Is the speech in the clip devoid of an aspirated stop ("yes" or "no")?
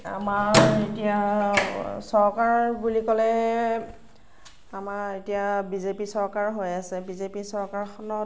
yes